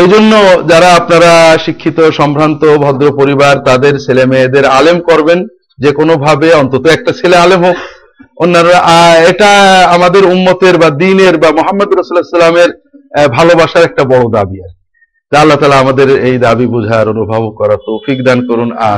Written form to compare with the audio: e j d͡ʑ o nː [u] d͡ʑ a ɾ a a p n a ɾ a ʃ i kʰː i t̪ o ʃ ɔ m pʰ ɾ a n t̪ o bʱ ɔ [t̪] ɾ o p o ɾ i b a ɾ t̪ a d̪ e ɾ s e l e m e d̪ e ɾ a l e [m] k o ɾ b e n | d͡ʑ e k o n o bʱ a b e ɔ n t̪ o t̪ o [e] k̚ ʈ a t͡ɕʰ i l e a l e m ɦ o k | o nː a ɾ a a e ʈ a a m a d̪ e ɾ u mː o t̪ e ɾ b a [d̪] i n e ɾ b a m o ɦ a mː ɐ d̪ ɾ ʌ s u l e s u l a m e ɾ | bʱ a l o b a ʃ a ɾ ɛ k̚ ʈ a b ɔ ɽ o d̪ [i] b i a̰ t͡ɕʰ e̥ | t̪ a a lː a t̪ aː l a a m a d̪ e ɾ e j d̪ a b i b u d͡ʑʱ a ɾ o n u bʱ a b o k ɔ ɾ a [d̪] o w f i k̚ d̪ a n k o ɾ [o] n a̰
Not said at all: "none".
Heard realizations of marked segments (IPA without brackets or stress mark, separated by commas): o, d̪, m, ɛ, d̪, a, t̪, u